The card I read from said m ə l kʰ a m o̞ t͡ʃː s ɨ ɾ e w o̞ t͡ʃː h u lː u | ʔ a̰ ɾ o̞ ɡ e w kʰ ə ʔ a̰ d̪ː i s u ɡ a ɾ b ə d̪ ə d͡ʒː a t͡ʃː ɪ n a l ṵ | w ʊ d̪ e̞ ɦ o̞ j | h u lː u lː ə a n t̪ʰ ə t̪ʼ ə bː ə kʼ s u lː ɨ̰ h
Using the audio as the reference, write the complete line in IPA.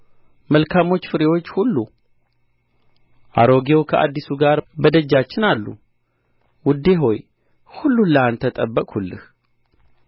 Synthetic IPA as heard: m ə l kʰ a m o̞ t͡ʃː f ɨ ɾ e w o̞ t͡ʃː h u lː u | ʔ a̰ ɾ o̞ ɡ e w kʰ ə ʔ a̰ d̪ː i s u ɡ a ɾ b ə d̪ ə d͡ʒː a t͡ʃː ɪ n a lː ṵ | w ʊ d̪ e̞ ɦ o̞ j | h u lː u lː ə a n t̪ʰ ə t̪ʼ ə bː ə kʼ h u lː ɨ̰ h